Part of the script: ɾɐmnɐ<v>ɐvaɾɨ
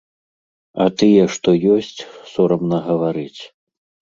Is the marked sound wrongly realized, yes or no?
yes